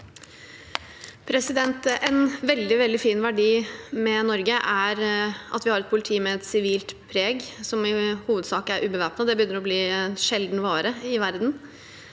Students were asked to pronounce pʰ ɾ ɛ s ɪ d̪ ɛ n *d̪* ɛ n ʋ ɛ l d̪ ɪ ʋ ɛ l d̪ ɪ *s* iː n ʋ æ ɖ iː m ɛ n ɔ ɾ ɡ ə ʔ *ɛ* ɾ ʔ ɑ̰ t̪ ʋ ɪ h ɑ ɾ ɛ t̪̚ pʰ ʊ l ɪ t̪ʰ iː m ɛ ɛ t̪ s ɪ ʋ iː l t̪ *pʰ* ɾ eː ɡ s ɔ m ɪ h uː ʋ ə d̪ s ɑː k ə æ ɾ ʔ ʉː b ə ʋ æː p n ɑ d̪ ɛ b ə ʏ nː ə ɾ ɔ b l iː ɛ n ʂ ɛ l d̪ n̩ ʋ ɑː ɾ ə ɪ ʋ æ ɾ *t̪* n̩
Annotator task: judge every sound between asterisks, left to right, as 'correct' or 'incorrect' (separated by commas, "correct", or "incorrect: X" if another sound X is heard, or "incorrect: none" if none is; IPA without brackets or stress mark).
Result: incorrect: t̪, incorrect: f, incorrect: æ, correct, incorrect: d̪